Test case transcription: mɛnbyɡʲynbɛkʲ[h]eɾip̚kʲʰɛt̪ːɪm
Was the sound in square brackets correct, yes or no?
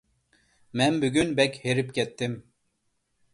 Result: yes